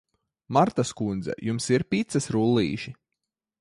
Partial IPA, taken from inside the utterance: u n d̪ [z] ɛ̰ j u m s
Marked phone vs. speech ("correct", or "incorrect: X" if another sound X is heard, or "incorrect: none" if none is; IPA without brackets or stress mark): correct